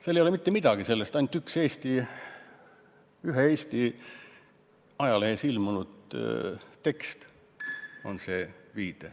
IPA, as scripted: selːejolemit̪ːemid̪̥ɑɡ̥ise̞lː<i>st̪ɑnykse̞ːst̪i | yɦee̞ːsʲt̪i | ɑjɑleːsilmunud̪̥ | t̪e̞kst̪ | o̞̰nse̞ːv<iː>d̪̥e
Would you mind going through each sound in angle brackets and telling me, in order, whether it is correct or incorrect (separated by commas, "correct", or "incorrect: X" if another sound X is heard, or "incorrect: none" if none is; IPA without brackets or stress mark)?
incorrect: e, correct